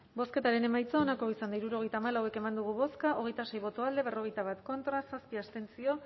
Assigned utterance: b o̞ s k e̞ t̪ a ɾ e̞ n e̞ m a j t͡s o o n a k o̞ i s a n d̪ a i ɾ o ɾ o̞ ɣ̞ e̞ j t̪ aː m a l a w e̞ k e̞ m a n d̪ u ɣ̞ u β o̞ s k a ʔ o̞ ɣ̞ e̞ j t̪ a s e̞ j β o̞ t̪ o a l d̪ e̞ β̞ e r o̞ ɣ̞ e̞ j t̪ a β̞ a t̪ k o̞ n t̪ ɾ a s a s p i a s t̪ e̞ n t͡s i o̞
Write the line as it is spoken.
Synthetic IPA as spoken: b o̞ s k e̞ t̪ a ɾ e̞ n e̞ m a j t͡s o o n a k o̞ i s a n d̪ a i ɾ u ɾ o̞ ɣ̞ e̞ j t̪ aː m a l a w e̞ k e̞ m a n d̪ u ɣ̞ u β o̞ s k a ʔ o̞ ɣ̞ e̞ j t̪ a s e̞ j β o̞ t̪ o a l d̪ e̞ β̞ e r o̞ ɣ̞ e̞ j t̪ a β̞ a t̪ k o̞ n t̪ ɾ a s a s p i a s t̪ e̞ n t͡s i o̞